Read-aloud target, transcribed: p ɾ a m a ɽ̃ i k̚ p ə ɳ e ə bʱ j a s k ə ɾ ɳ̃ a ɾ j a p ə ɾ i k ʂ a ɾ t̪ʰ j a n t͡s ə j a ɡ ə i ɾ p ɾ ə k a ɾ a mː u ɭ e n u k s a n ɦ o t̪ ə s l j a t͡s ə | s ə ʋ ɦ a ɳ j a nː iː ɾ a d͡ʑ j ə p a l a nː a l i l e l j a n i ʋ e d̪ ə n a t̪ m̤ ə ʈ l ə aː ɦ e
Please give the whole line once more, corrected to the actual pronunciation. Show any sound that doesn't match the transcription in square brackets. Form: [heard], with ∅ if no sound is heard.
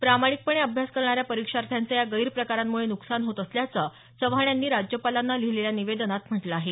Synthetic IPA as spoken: p ɾ a m a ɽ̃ i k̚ p ə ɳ e ə bʱ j a s k ə ɾ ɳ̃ a ɾ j a p ə ɾ i k ʂ a ɾ t̪ʰ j a n t͡s ə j a ɡ ə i ɾ p ɾ ə k a ɾ a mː u ɭ e n u k s a n ɦ o t̪ ə s l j a t͡s ə | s ə ʋ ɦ a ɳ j a nː iː ɾ a d͡ʑ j ə p a l a nː a l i l e l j a n i ʋ e d̪ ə n a t̪ m̤ ə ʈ l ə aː ɦ e